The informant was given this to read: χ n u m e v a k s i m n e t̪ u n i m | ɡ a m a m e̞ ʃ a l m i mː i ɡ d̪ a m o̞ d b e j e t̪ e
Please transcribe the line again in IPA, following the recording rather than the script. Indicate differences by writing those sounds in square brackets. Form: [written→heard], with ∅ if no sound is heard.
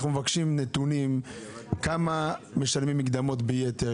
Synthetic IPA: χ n u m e v a k [s→ʃ] i m n e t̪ u n i m | [ɡ→k] a m a m e̞ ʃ a l m i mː i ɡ d̪ a m o̞ [d→t] b e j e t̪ e

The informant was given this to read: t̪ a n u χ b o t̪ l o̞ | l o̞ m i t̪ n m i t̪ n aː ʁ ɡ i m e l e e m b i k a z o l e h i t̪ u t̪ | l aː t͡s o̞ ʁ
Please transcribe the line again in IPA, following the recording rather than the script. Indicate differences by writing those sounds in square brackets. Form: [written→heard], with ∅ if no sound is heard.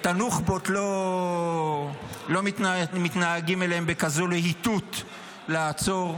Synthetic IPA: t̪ a n u χ b o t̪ l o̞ | l o̞ m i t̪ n m i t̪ n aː [ʁ→∅] ɡ i m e l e e m b [i→e] k a z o l e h i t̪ u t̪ | l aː t͡s o̞ ʁ

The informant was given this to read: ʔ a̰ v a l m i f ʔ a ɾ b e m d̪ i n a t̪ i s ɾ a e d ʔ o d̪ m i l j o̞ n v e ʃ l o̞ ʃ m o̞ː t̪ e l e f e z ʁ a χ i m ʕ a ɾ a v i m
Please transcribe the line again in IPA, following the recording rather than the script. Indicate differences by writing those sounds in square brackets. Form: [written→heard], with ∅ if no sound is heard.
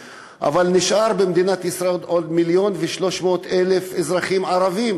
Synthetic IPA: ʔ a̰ v a l [m→n] i [f→ʃ] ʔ a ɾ b e m d̪ i n a t̪ i s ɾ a e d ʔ o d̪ m i l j o̞ n v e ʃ l o̞ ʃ m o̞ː t̪ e l e f e z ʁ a χ i m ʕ a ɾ a v i m

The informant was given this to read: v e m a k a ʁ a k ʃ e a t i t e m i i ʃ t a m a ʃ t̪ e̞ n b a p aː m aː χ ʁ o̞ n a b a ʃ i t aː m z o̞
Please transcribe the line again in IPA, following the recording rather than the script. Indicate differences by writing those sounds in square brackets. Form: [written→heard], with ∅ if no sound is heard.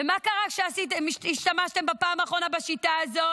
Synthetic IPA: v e m a k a ʁ a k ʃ e a [t→s] i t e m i i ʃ t a m a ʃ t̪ e̞ [n→m] b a p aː m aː χ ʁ o̞ n a b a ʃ i t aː [m→∅] z o̞

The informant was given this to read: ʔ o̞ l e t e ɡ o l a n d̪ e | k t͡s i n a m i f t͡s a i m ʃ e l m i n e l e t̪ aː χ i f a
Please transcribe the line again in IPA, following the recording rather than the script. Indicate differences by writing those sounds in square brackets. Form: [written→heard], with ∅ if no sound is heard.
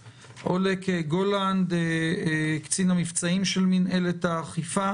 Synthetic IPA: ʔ o̞ l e [t→k] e ɡ o l a n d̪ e | k t͡s i n a m i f t͡s a i m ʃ e l m i n e l e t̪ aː χ i f a

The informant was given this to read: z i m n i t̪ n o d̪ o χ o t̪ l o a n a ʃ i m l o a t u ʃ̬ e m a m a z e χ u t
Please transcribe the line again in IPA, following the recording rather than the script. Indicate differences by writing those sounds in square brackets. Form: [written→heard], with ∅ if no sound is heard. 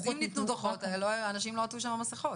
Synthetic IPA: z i m n i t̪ n [o→u] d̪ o χ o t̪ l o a n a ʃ i m l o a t u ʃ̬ [e→a] m a m a [z→s] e χ [u→o] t

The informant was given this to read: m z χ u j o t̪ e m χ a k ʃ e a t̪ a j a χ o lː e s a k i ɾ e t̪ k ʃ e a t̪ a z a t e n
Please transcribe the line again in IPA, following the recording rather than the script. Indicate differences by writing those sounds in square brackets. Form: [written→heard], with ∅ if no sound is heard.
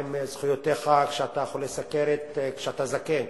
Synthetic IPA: m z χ u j o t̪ e [m→∅] χ a k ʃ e a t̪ a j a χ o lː e s a k [i→e] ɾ e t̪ k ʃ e a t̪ a z a [t→k] e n

